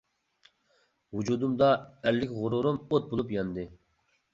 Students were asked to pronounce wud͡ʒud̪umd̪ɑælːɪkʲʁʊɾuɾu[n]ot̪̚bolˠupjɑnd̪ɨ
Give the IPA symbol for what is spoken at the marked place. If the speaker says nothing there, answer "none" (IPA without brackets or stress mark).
m